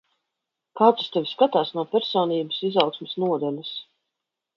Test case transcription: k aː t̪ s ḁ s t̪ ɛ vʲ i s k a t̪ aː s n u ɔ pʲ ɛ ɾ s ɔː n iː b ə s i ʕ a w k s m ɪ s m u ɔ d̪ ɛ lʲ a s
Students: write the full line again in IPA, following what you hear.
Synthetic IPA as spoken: k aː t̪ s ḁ s t̪ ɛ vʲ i s k a t̪ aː s n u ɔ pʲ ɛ ɾ s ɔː n iː b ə s i z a w k s m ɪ s n u ɔ d̪ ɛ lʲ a s